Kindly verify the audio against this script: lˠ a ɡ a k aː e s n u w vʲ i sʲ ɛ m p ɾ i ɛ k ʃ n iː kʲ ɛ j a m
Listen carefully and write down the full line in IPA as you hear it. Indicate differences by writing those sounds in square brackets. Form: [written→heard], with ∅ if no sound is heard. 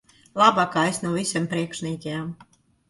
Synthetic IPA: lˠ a [ɡ→b] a k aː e s n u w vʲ i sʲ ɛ m p ɾ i ɛ k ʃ n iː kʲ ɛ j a m